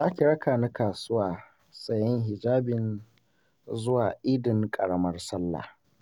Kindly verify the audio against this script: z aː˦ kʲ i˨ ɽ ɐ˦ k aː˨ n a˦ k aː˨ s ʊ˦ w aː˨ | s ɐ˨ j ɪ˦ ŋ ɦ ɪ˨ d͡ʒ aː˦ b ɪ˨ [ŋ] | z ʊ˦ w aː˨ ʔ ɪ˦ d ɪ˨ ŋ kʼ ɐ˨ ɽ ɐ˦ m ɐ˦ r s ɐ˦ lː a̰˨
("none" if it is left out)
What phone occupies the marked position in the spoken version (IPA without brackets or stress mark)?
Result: n